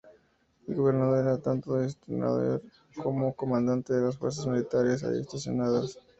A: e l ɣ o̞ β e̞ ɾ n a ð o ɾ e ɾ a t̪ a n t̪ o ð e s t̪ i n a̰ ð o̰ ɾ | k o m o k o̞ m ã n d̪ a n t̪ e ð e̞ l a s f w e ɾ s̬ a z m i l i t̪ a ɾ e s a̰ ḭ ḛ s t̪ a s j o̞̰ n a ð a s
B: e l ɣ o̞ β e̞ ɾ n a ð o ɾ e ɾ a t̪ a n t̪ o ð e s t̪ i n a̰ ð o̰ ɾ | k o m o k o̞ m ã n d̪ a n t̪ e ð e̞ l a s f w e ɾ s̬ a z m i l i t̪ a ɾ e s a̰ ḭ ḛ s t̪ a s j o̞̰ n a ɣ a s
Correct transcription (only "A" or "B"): A